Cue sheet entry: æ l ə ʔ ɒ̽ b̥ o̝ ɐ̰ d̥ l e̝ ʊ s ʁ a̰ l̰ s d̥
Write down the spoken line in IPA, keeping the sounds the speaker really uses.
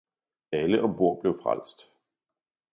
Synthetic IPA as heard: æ l ə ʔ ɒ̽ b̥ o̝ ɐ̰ b̥ l e̝ ʊ f ʁ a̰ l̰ s d̥

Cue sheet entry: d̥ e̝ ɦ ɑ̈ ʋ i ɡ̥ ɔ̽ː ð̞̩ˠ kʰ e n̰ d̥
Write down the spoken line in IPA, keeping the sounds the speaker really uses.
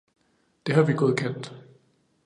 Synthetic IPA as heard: d̥ e̝ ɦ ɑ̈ ʋ i ɡ̥ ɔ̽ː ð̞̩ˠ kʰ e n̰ d̥

